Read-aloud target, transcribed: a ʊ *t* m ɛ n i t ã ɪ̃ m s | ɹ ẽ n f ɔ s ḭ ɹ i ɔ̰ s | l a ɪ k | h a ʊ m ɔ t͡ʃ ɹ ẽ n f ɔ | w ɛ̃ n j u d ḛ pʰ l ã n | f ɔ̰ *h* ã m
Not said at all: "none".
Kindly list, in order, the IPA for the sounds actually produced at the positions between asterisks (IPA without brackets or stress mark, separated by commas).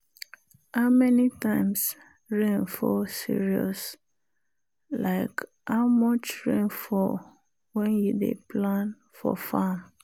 none, f